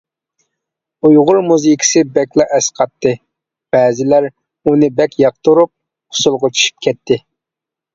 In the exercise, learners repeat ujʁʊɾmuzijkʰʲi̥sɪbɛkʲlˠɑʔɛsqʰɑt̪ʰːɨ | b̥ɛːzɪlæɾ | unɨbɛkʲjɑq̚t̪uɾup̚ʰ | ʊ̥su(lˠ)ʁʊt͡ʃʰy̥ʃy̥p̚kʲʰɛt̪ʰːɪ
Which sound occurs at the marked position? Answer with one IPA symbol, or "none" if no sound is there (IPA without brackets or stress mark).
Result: lˠ